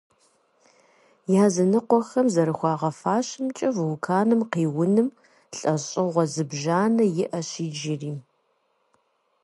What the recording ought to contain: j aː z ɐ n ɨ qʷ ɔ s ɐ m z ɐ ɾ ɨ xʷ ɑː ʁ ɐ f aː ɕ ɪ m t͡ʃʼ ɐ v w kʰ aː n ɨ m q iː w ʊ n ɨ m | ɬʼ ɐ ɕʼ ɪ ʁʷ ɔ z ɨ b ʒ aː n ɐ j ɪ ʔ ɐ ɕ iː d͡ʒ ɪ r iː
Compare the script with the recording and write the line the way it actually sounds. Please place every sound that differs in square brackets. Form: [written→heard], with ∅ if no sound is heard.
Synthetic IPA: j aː z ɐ n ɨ qʷ ɔ [s→x] ɐ m z ɐ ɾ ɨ xʷ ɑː ʁ ɐ f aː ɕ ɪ m t͡ʃʼ ɐ v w kʰ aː n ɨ m q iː w ʊ n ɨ m | ɬʼ ɐ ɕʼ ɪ ʁʷ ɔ z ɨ b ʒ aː n ɐ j ɪ ʔ ɐ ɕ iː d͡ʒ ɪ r iː